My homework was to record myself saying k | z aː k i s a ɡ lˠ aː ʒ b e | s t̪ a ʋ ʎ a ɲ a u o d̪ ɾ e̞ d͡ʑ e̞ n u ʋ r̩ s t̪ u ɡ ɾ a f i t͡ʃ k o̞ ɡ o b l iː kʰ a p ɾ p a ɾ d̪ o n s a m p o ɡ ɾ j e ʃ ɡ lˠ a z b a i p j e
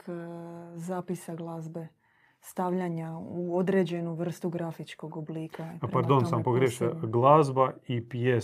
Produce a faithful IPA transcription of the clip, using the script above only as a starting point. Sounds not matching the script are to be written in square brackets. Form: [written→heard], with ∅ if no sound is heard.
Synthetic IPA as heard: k | z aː [k→p] i s a ɡ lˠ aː [ʒ→z] b e | s t̪ a ʋ ʎ a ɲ a u o d̪ ɾ e̞ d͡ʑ e̞ n u ʋ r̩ s t̪ u ɡ ɾ a f i t͡ʃ k o̞ ɡ o b l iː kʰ a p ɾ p a ɾ d̪ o n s a m p o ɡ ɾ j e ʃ ɡ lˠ a z b a i p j e